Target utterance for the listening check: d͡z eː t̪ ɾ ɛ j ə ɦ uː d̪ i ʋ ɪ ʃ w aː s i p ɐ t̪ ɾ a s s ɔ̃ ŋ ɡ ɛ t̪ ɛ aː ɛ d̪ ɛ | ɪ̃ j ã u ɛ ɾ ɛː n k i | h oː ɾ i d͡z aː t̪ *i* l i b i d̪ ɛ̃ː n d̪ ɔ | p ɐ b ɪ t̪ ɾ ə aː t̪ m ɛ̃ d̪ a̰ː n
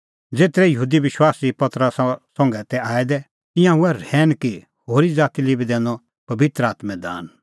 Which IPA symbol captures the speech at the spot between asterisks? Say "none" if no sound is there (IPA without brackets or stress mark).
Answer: i